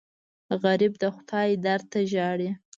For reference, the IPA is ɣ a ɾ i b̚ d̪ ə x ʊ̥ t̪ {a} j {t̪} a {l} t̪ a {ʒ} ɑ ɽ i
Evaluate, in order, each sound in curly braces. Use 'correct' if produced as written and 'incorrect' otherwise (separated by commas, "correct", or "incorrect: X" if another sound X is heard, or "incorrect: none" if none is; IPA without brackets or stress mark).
incorrect: ɑ, incorrect: d̪, incorrect: ɾ, correct